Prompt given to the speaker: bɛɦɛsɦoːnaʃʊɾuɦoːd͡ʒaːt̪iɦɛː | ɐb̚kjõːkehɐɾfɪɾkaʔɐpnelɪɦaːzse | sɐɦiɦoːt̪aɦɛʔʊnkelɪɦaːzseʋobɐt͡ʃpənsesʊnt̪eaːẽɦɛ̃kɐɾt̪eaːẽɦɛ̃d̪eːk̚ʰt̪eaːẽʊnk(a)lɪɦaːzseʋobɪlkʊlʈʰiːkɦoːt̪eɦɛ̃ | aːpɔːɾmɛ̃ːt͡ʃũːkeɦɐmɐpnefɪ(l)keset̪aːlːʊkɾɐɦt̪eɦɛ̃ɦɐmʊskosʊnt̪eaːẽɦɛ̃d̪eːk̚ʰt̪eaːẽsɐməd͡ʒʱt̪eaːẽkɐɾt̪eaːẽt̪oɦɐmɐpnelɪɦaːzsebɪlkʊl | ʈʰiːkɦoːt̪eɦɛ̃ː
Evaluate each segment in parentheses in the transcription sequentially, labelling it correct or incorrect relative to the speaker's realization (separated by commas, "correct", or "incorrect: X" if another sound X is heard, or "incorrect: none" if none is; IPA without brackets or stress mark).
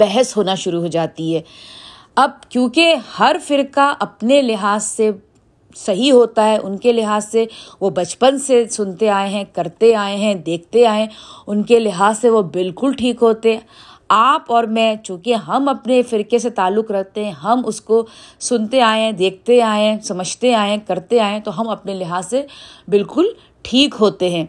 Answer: incorrect: e, incorrect: ɾ